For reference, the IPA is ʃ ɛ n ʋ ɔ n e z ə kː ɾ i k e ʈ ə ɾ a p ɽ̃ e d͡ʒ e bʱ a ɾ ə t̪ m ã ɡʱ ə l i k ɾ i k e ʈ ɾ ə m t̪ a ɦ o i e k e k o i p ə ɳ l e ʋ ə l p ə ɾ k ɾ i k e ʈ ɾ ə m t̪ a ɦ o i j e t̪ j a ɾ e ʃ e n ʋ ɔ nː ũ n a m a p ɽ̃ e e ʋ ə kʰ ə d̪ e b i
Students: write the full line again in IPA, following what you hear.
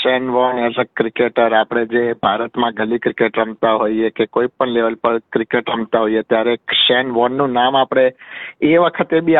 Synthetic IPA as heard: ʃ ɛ n ʋ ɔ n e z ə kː ɾ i k e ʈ ə ɾ a p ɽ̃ e d͡ʒ e bʱ a ɾ ə t̪ m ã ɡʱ ə l i k ɾ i k e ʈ ɾ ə m t̪ a ɦ o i e k e k o i p ə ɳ l e ʋ ə l p ə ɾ k ɾ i k e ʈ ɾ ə m t̪ a ɦ o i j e t̪ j a ɾ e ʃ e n ʋ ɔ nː ũ n a m a p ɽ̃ e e ʋ ə kʰ ə t̪ e b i